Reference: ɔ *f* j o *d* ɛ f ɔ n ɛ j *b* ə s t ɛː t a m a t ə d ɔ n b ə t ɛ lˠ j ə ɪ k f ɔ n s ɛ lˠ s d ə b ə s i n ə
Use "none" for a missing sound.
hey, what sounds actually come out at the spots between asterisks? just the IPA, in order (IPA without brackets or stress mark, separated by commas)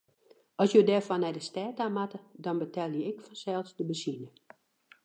s, d, d